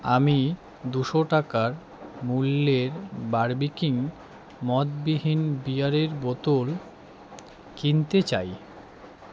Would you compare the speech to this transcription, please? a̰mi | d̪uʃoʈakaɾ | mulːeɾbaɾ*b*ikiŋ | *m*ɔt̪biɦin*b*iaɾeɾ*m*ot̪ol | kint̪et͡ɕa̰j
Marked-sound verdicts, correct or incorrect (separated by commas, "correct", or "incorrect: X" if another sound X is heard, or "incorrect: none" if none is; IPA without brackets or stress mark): correct, correct, correct, incorrect: b